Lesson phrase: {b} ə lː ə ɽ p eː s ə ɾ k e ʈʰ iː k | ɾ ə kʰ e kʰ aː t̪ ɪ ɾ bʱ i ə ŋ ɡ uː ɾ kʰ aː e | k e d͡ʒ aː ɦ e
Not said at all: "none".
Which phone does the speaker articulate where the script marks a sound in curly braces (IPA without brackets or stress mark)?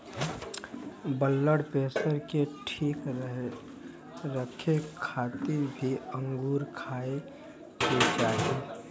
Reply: b